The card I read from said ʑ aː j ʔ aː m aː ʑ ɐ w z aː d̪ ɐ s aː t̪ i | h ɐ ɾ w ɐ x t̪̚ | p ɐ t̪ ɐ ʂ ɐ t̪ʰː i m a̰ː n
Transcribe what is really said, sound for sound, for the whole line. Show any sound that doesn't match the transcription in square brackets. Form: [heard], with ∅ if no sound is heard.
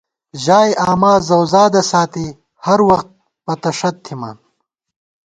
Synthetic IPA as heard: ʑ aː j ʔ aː m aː [z] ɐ w z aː d̪ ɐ s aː t̪ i | h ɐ ɾ w ɐ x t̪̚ | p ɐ t̪ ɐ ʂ ɐ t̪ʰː i m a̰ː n